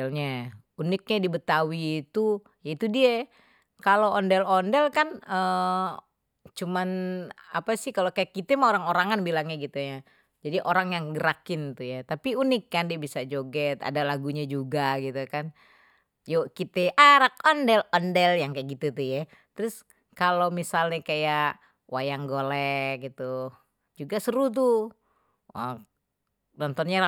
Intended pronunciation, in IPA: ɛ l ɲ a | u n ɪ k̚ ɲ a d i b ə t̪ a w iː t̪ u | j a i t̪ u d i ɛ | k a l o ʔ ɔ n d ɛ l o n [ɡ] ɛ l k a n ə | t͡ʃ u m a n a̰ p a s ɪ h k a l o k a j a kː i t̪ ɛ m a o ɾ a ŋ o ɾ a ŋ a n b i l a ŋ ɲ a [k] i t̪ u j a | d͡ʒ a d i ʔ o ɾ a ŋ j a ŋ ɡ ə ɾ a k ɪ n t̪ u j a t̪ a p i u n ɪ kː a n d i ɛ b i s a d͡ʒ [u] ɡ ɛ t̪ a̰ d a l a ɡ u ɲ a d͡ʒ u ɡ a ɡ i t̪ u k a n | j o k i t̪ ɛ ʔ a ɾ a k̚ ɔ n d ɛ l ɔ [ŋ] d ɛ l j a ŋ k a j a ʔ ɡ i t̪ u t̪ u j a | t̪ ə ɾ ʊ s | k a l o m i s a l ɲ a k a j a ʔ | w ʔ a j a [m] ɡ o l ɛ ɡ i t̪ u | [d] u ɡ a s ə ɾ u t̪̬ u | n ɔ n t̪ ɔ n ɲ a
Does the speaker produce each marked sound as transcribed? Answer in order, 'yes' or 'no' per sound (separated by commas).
no, no, no, no, no, no